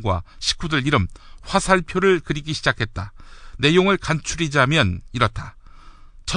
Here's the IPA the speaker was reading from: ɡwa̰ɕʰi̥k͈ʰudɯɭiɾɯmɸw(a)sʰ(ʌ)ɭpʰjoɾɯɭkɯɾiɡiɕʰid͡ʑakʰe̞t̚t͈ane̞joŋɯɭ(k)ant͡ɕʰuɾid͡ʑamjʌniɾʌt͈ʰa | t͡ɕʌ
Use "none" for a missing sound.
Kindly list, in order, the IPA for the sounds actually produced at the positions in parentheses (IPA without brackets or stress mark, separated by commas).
a, a, k